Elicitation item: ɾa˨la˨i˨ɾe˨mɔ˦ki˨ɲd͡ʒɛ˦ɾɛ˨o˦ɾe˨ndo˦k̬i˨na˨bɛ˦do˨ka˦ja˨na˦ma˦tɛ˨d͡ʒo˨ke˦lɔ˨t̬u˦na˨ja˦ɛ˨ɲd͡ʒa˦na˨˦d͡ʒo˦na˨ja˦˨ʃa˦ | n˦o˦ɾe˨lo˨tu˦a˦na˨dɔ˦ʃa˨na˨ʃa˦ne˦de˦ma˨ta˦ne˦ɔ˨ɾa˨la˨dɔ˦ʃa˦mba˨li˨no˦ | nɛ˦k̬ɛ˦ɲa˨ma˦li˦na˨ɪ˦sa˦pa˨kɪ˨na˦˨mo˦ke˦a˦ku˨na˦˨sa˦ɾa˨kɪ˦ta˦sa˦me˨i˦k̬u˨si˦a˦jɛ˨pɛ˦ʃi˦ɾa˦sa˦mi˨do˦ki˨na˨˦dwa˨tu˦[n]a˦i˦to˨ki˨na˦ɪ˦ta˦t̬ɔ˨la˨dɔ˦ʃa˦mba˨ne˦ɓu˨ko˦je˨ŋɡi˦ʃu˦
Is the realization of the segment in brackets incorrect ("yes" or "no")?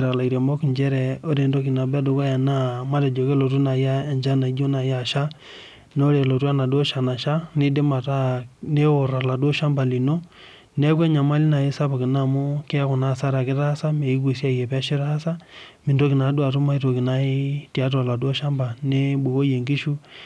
yes